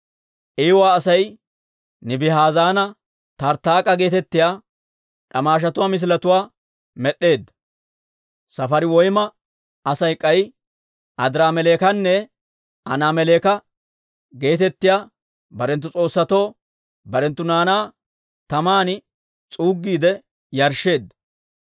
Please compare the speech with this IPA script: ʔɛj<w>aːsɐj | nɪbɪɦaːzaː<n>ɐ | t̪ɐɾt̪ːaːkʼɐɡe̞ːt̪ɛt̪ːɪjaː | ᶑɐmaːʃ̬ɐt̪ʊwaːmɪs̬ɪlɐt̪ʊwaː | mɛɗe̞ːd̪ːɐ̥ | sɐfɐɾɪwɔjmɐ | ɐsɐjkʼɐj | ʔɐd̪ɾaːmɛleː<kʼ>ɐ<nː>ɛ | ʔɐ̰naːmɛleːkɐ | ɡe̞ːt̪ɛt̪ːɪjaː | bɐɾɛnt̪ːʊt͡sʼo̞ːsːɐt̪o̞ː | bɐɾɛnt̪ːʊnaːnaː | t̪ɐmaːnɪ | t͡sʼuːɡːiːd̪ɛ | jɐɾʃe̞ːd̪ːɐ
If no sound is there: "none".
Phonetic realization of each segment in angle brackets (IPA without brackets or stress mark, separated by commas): w, n, k, nː